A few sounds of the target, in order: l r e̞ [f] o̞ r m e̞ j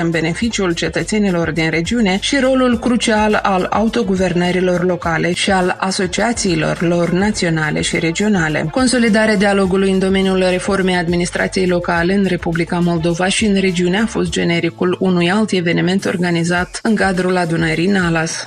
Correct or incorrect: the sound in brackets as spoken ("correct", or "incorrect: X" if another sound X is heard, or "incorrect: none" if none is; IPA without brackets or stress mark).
correct